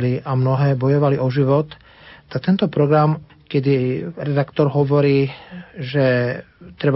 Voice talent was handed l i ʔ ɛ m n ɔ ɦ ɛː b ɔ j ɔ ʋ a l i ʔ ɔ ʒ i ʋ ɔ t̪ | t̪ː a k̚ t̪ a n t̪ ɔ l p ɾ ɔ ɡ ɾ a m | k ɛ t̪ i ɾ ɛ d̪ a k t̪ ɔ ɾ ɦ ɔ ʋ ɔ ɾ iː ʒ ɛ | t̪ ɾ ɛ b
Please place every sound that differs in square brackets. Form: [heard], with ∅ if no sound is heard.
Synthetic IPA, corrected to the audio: l i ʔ [a] m n ɔ ɦ ɛː b ɔ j ɔ ʋ a l i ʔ ɔ ʒ i ʋ ɔ t̪ | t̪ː a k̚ t̪ [ɛ] n t̪ ɔ [∅] p ɾ ɔ ɡ ɾ a m | k ɛ [d̪] i ɾ ɛ d̪ a k t̪ ɔ ɾ ɦ ɔ ʋ ɔ ɾ iː ʒ ɛ | t̪ ɾ ɛ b